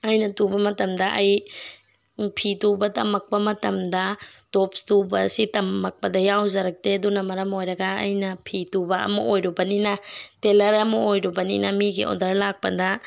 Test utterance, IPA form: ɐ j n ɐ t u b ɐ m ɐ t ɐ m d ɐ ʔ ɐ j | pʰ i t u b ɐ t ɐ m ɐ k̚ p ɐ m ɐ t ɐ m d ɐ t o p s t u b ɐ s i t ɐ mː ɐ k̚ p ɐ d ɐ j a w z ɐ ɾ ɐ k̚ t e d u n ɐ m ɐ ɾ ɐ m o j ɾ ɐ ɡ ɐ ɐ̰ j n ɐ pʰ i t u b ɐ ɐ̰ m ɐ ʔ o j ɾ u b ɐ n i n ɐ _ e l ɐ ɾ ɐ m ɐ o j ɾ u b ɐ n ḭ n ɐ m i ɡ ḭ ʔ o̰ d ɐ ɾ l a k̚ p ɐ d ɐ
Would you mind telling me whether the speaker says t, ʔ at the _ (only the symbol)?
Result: t